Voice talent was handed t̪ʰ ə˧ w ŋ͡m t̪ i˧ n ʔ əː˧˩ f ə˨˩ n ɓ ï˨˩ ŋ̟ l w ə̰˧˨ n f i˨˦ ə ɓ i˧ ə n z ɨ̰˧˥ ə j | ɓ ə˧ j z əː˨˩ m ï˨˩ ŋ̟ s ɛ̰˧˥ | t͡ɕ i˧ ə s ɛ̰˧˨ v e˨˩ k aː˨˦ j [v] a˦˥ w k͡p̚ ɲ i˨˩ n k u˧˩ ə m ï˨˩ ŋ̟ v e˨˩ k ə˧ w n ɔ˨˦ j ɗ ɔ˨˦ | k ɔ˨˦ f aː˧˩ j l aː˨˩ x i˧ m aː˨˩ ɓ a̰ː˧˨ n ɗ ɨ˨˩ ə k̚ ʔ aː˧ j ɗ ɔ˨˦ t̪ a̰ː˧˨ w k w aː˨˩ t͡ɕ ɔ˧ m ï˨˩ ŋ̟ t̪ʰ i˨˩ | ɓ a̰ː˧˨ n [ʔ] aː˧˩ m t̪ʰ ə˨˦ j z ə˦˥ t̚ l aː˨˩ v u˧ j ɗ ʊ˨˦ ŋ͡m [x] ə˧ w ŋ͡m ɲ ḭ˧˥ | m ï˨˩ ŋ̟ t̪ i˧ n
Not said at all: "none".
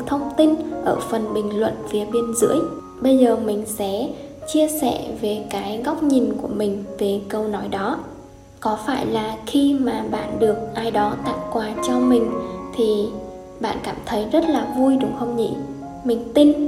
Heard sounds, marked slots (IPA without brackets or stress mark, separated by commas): ɣ, k, x